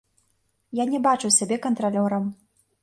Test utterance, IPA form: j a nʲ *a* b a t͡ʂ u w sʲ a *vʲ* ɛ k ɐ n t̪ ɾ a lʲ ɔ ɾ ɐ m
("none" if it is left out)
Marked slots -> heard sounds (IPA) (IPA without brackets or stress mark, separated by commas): ɛ, bʲ